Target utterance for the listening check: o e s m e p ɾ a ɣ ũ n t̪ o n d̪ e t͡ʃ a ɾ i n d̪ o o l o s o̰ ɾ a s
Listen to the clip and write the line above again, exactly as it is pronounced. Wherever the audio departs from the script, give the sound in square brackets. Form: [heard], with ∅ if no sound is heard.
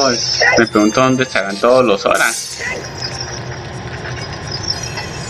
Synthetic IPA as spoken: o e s m e p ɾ [e] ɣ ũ n t̪ o n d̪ e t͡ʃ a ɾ [a] n [t̪] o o l o s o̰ ɾ a s